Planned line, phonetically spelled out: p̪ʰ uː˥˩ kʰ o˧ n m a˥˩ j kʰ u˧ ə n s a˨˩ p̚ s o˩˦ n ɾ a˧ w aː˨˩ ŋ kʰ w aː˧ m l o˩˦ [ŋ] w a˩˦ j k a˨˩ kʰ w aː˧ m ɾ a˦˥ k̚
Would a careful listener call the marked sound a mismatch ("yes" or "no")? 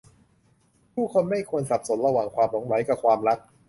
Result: no